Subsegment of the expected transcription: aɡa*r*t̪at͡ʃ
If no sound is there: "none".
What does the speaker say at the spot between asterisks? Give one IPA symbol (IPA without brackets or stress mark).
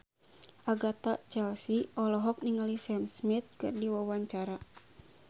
none